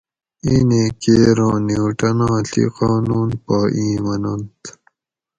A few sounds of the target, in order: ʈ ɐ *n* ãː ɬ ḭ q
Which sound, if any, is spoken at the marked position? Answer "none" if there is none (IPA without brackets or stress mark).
n